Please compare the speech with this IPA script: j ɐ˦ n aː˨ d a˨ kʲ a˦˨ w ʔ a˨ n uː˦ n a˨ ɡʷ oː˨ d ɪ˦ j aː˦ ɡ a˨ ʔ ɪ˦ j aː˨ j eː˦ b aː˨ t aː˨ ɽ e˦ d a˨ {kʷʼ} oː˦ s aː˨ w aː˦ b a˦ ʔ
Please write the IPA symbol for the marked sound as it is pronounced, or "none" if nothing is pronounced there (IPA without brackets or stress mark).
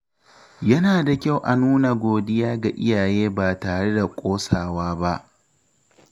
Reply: kʷʼ